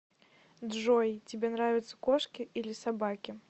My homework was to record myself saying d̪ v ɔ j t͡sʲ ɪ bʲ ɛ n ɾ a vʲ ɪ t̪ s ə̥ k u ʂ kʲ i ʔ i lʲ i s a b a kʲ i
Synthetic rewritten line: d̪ ʐ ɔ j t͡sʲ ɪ bʲ ɛ n ɾ a vʲ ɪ t̪ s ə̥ k ɔ ʂ kʲ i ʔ i lʲ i s a b a kʲ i